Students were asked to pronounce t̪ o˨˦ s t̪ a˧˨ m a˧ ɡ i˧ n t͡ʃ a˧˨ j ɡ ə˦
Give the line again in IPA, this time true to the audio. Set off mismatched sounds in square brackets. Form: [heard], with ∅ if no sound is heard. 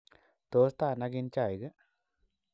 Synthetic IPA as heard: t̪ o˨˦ s t̪ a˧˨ [n] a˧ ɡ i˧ n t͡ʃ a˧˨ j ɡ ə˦